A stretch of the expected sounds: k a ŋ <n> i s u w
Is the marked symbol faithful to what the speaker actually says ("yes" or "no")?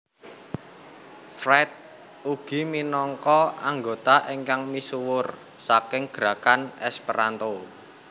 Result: no